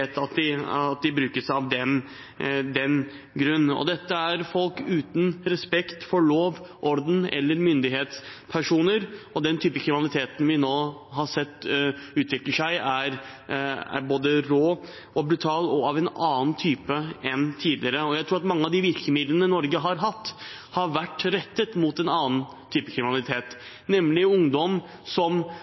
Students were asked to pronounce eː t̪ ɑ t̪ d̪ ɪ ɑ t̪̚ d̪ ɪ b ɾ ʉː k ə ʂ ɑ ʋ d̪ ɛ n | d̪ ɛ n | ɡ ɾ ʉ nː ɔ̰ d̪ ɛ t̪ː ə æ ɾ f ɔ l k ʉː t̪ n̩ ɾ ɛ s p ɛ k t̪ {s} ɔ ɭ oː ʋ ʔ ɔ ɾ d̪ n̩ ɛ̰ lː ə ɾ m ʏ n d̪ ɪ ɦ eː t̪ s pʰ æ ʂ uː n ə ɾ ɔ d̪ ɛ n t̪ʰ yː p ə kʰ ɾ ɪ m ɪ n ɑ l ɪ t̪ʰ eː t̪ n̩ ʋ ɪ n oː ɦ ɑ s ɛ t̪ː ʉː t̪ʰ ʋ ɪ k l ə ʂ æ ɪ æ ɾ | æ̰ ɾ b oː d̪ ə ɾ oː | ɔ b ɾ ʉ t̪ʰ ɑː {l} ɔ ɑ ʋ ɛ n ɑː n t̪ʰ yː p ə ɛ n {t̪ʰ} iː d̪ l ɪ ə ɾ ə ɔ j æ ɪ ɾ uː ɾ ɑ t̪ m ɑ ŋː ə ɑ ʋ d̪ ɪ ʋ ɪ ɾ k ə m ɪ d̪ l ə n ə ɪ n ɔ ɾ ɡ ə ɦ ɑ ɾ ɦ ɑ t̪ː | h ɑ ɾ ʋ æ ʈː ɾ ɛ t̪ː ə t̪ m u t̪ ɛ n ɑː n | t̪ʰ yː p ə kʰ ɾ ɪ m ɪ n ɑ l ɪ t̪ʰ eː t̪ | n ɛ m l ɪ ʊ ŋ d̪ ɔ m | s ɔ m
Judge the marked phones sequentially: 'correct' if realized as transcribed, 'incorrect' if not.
incorrect: f, correct, correct

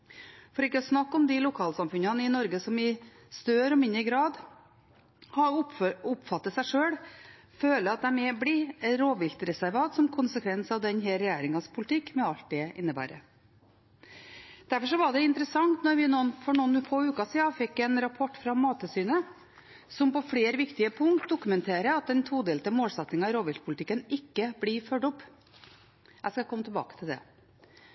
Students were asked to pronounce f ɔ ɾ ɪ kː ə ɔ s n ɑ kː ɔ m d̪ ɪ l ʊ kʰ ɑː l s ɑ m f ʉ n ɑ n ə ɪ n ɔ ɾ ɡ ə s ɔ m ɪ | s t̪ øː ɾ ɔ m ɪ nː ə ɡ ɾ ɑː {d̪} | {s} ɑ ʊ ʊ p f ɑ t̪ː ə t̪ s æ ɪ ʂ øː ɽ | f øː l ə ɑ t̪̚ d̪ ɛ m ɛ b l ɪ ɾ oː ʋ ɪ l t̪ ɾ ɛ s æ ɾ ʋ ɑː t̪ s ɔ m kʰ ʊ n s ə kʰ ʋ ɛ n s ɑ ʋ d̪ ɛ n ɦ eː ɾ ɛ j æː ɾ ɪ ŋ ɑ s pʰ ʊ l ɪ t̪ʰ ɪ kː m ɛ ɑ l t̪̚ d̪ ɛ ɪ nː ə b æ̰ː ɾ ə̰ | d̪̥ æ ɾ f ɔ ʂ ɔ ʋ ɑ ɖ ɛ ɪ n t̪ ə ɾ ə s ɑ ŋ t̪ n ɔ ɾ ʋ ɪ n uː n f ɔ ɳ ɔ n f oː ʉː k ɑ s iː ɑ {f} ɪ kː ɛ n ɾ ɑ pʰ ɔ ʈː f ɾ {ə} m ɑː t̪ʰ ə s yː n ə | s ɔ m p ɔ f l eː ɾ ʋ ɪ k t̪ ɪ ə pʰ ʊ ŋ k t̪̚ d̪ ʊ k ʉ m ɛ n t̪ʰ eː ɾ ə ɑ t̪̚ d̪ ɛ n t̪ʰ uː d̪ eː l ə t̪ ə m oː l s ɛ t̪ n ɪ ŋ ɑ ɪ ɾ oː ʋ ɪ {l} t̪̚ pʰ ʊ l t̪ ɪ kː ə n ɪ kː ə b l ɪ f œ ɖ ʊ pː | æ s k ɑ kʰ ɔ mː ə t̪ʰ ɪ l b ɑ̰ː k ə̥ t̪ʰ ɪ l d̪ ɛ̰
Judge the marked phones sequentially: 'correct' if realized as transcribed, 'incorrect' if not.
correct, incorrect: h, correct, incorrect: ɑ, correct

